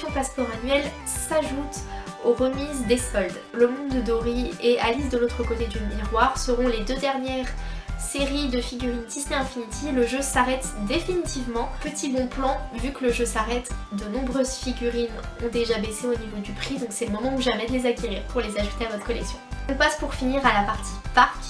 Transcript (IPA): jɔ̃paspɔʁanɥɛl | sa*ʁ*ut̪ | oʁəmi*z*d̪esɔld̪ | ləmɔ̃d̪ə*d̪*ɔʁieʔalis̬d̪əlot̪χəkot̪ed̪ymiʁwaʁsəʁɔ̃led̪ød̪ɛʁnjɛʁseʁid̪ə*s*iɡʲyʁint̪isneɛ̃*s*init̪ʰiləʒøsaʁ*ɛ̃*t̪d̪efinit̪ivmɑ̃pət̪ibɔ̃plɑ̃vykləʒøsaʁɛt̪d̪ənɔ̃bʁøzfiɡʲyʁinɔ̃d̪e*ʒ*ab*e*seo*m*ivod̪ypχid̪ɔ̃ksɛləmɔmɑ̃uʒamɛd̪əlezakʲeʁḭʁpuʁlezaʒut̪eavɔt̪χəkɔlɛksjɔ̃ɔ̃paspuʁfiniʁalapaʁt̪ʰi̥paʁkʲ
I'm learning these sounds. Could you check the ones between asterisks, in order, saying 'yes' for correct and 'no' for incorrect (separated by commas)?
no, yes, yes, no, no, no, yes, yes, no